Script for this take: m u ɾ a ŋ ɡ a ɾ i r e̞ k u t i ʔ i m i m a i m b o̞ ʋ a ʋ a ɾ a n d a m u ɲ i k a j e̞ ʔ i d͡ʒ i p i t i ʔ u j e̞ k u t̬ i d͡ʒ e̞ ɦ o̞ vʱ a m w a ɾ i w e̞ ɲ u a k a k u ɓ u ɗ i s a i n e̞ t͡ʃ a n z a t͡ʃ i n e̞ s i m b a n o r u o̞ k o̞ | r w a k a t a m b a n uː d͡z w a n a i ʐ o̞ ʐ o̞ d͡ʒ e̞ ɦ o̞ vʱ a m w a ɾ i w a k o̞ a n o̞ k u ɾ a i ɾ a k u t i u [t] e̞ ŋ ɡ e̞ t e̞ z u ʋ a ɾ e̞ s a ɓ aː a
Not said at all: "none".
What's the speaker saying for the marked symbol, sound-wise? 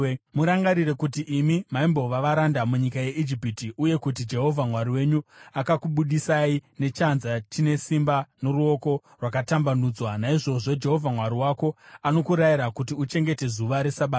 t͡ʃ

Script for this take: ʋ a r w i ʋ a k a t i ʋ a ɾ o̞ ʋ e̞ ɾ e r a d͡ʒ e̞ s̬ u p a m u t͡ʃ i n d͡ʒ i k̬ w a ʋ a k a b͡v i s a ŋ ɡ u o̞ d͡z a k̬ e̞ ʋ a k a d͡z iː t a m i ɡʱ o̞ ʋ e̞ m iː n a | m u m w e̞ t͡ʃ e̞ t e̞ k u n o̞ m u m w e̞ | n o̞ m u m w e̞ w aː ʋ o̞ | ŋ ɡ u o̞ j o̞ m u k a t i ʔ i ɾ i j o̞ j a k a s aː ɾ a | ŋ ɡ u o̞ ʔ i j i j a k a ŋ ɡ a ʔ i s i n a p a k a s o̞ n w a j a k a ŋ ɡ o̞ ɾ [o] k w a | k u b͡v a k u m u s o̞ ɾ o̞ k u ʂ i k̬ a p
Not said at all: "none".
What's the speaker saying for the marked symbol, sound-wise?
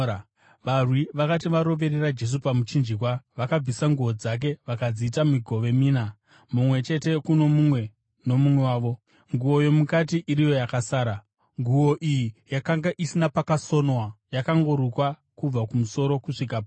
u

